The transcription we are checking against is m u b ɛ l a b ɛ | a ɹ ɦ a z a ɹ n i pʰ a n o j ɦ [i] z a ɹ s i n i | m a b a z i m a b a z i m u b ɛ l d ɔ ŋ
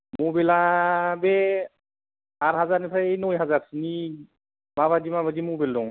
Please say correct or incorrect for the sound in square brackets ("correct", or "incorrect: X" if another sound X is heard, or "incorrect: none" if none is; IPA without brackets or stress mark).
incorrect: a